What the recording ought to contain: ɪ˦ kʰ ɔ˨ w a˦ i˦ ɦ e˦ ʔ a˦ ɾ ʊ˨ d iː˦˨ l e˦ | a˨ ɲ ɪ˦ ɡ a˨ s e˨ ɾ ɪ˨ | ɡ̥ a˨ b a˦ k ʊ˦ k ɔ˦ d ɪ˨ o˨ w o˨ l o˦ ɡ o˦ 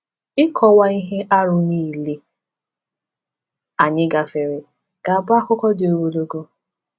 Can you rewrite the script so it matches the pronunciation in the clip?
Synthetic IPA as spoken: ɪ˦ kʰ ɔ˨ w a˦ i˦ ɦ e˦ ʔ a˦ ɾ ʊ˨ n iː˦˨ l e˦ | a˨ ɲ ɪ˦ ɡ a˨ f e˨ ɾ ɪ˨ | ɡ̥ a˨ b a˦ k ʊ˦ k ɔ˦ d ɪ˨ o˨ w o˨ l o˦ ɡ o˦